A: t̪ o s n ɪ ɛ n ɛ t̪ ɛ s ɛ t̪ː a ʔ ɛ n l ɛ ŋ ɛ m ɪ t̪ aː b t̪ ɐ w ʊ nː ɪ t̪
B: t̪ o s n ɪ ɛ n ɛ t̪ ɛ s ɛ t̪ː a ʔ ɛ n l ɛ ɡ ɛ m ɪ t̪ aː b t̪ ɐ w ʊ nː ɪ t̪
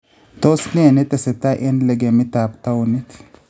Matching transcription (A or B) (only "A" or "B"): B